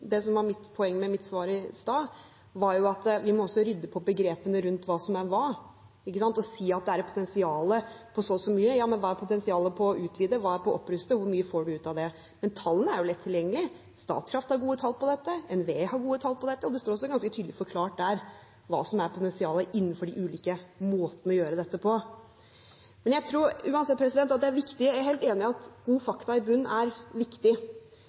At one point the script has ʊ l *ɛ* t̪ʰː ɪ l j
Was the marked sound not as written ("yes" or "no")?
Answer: no